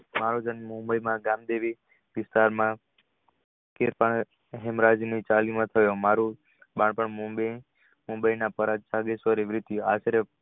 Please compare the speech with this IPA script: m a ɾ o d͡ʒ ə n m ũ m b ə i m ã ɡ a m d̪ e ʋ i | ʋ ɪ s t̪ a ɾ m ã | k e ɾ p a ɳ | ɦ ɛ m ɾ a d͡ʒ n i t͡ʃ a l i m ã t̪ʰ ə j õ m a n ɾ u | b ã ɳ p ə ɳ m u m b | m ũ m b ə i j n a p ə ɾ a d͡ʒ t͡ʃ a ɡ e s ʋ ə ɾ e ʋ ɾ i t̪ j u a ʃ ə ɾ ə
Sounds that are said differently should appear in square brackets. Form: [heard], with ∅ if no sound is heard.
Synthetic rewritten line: m a ɾ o d͡ʒ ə n m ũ m b ə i m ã ɡ a m d̪ e ʋ i | ʋ ɪ s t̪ a ɾ m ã | k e ɾ p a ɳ | ɦ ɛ m ɾ a d͡ʒ n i t͡ʃ a l i m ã t̪ʰ ə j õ m a [∅] ɾ u | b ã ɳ p ə ɳ m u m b | m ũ m b ə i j n a p ə ɾ a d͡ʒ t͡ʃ a ɡ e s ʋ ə ɾ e ʋ ɾ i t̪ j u a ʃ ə ɾ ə

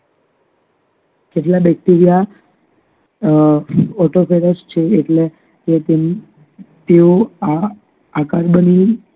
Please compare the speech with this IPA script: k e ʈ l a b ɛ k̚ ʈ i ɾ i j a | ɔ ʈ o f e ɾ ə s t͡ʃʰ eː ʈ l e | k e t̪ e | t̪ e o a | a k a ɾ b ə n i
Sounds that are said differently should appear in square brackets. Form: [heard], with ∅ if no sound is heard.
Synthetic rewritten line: k e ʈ l a b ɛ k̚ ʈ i ɾ i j a | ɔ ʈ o f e ɾ ə s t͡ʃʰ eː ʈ l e | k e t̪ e | t̪ e o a | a k a ɾ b ə n i

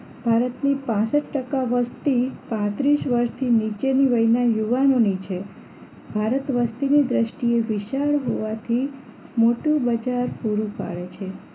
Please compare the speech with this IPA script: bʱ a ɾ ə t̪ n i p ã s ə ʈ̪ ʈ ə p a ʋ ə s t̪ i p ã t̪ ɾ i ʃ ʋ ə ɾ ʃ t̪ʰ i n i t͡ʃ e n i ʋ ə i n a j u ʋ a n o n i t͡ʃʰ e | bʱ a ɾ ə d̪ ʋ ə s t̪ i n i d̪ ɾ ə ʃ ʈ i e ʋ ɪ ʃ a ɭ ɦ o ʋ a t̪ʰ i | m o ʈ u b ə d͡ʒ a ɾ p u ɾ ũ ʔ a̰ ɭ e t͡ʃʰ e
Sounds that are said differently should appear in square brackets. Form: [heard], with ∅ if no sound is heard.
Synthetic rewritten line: bʱ a ɾ ə t̪ n i p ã s ə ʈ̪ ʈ ə [k] a ʋ ə s t̪ i p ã t̪ ɾ i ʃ ʋ ə ɾ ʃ t̪ʰ i n i t͡ʃ e n i ʋ ə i n a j u ʋ a n o n i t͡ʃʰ e | bʱ a ɾ ə [t̪] ʋ ə s t̪ i n i d̪ ɾ ə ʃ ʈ i e ʋ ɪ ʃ a ɭ ɦ o ʋ a t̪ʰ i | m o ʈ u b ə d͡ʒ a ɾ p u ɾ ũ [p] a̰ ɭ e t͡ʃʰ e

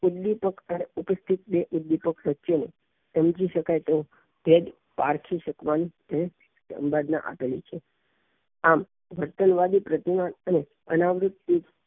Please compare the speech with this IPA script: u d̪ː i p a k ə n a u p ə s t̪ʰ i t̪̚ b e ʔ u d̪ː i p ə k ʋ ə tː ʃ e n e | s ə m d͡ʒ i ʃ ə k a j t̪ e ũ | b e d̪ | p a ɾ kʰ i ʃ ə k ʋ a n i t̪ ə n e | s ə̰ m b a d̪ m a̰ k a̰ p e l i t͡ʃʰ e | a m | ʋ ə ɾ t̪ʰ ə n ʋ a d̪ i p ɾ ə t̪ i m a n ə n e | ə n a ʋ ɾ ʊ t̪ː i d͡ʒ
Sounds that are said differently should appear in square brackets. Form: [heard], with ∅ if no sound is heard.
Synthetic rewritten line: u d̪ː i p [ə] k ə n [e] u p ə s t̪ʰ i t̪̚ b e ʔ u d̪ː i p ə k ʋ ə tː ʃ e n e | s ə m d͡ʒ i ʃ ə k a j t̪ e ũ | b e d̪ | p a ɾ kʰ i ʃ ə k ʋ a n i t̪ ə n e | s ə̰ m b a d̪ [n] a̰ [ʔ] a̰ p e l i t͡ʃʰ e | a m | ʋ ə ɾ [t̪] ə n ʋ a d̪ i p ɾ ə t̪ i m a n ə n e | ə n a ʋ ɾ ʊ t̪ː i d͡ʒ

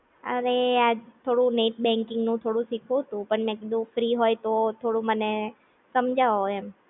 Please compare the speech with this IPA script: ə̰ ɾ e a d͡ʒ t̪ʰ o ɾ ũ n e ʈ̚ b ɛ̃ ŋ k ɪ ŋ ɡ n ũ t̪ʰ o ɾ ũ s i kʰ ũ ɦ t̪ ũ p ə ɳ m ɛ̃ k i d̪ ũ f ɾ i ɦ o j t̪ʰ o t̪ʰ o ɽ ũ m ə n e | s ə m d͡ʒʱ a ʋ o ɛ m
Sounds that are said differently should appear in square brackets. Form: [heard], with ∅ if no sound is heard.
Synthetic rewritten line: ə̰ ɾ e a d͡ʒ t̪ʰ o [ɽ] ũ n e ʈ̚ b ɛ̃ ŋ k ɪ ŋ ɡ n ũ t̪ʰ o [ɽ] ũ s i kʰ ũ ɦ t̪ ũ p ə ɳ m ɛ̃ k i d̪ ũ f ɾ i ɦ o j [t̪] o t̪ʰ o ɽ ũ m ə n e | s ə m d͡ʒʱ a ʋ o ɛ m

